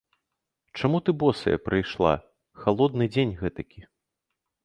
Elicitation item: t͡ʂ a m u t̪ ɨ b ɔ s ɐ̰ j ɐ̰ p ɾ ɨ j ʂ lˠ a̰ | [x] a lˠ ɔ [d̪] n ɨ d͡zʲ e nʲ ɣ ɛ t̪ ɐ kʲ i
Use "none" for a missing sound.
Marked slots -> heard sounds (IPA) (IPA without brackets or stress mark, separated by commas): x, d̪